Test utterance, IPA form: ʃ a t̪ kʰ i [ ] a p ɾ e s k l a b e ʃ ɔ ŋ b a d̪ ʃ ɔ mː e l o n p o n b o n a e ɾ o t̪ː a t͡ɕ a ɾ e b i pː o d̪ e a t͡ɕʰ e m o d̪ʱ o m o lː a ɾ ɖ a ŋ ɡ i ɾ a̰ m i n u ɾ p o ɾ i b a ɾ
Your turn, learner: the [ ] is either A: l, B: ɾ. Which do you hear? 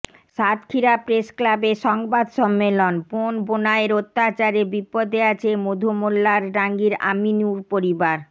B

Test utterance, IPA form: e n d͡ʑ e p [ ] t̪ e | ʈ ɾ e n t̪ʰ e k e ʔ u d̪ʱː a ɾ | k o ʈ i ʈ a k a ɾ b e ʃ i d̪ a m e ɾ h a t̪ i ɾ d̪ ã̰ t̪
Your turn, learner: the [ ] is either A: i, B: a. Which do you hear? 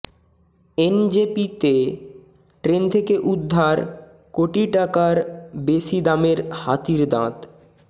A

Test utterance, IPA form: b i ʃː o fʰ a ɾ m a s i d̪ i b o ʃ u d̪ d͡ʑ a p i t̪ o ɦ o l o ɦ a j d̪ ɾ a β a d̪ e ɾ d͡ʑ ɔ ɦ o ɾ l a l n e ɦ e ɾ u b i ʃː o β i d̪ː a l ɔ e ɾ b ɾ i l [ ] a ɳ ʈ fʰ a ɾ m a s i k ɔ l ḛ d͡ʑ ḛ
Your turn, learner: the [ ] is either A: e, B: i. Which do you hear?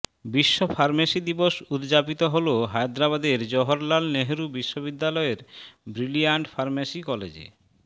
B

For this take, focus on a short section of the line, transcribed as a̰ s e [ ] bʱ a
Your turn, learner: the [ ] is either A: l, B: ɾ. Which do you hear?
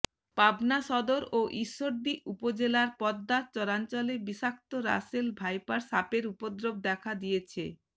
A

